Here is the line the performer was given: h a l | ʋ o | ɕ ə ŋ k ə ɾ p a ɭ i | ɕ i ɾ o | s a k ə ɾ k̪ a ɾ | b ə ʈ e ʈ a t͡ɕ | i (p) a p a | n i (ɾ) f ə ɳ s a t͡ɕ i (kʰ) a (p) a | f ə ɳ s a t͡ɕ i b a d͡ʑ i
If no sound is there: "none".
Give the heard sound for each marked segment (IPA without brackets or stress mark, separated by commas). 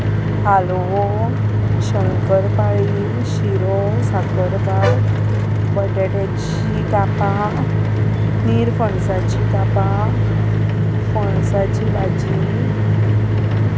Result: k, ɾ, k, p